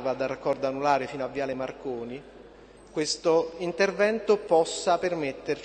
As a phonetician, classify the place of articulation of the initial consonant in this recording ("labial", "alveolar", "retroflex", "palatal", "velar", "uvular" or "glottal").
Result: labial